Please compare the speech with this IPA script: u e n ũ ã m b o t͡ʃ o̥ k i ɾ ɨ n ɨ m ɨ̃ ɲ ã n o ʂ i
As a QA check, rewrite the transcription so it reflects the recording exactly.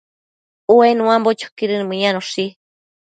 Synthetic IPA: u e n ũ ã m b o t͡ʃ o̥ k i ɾ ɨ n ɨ m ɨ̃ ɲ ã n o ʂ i